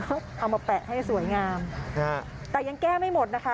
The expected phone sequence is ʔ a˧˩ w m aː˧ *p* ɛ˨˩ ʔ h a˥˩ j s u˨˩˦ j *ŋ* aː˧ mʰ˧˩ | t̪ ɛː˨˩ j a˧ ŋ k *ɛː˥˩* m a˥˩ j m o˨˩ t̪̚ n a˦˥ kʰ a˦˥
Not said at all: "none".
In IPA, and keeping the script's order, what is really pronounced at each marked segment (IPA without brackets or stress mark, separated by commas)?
p, ŋ, ɛː˥˩